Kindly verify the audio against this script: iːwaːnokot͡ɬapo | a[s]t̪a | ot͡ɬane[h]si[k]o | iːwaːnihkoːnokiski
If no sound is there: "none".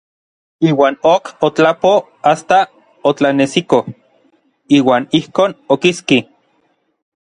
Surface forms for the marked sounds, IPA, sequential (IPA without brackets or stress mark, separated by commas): s, none, k